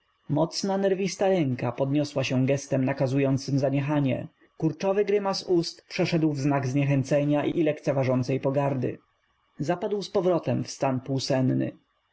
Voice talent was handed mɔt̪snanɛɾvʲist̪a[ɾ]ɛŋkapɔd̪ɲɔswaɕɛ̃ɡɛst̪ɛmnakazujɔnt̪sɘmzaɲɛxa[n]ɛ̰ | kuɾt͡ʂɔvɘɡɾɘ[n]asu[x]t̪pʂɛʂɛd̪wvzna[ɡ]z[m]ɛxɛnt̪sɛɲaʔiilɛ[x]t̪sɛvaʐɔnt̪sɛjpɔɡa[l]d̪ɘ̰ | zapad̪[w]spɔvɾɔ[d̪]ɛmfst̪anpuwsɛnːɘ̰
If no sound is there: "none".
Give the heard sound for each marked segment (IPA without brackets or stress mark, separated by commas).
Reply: ɾ, ɲ, m, s, ɡ, ɲ, k, ɾ, w, t̪